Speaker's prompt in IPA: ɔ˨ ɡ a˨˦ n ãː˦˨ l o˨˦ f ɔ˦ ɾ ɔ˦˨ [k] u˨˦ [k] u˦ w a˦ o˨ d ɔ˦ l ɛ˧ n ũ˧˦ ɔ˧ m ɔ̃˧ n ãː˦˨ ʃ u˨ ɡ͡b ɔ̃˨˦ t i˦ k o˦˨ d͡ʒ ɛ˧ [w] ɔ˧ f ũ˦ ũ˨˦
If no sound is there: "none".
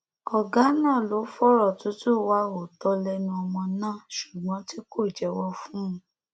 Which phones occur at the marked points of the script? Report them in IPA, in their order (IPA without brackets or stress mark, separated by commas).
t, t, w